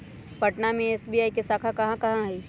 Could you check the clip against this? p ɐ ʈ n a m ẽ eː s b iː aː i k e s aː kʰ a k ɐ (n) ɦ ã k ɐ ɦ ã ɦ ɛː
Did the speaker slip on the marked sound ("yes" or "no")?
yes